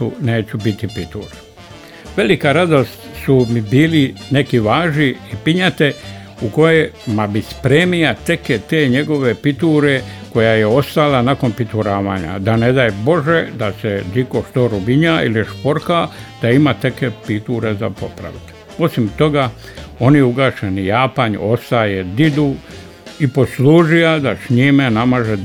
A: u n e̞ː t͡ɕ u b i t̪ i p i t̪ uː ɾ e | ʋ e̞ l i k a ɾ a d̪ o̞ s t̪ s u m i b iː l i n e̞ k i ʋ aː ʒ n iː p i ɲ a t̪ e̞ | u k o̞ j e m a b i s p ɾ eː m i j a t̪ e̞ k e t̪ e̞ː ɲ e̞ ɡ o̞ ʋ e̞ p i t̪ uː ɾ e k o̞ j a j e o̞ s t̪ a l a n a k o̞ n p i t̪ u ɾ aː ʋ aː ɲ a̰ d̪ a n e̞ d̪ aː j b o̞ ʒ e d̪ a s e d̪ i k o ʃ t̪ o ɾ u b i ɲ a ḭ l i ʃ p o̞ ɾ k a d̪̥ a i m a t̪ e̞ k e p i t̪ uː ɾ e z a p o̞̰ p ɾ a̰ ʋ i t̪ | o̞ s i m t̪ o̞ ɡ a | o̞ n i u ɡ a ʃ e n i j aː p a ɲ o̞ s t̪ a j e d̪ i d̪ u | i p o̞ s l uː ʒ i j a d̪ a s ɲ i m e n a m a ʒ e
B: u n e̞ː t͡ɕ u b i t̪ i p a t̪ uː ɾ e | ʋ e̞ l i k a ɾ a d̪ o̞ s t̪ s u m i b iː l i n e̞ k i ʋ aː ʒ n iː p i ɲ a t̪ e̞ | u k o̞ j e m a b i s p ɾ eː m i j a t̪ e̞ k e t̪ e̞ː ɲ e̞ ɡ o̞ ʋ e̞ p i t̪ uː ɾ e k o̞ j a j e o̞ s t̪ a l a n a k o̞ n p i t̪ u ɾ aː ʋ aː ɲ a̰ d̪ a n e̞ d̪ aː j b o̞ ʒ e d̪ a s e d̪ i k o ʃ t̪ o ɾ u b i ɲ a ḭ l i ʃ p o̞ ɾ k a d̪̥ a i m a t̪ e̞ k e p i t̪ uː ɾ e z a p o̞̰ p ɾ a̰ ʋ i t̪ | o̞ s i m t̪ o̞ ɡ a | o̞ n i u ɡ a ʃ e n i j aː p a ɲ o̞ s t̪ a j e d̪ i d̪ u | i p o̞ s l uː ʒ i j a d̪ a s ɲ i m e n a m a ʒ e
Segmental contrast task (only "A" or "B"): A